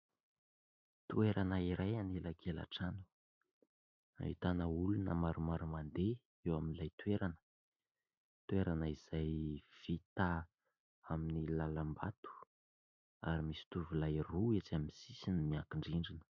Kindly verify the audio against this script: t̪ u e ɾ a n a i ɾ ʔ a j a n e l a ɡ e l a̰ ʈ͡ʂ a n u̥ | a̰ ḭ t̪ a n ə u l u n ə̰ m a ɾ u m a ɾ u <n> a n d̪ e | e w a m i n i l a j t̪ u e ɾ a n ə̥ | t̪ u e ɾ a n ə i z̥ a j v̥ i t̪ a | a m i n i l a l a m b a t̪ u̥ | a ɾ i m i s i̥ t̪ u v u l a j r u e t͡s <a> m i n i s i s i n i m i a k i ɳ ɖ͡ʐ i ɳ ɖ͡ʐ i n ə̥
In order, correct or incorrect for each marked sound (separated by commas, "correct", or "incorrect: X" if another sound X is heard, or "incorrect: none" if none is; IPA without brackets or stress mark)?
incorrect: m, correct